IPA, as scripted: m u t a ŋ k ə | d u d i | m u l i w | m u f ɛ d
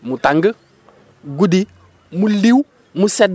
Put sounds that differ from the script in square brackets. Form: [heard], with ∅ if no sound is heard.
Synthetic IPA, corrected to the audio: m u t a ŋ [ɡ] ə | [ɡ] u d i | m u l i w | m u [s] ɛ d